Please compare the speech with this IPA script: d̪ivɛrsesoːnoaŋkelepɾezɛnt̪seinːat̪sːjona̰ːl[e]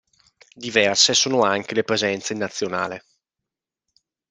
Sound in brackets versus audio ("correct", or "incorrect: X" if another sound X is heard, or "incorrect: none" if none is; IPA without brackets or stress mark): correct